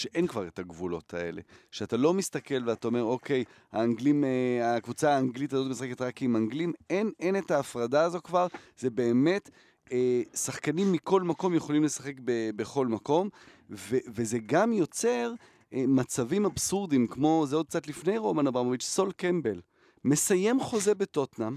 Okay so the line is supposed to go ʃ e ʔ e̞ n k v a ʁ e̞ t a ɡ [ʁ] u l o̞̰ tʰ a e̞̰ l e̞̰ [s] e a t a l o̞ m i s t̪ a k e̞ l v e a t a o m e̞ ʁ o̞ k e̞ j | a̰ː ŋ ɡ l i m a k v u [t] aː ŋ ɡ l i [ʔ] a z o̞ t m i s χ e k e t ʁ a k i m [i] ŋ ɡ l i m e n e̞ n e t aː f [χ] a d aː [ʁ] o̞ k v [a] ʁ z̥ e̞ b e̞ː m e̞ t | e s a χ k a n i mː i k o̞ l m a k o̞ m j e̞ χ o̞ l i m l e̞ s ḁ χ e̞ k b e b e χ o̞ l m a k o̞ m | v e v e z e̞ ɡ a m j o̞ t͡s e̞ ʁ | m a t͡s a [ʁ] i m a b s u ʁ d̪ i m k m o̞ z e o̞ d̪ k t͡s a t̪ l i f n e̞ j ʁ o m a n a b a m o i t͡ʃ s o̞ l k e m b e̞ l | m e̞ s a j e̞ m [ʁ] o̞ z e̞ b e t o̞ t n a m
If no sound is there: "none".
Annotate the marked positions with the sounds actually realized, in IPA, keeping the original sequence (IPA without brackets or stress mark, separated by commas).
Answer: v, ʃ, t͡s, t, a, ʁ, z, a, v, χ